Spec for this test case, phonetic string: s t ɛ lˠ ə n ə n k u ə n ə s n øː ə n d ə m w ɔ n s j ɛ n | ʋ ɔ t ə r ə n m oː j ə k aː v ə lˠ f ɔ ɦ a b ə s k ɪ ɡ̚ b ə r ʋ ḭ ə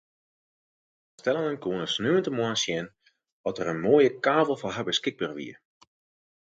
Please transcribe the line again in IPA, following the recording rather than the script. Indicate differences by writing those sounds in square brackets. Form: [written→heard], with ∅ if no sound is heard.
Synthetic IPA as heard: s t ɛ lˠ ə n ə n k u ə n ə s n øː ə n [d→t] ə m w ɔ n s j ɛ n | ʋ ɔ t ə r ə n m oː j ə k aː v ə lˠ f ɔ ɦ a b ə s k ɪ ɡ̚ b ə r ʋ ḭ ə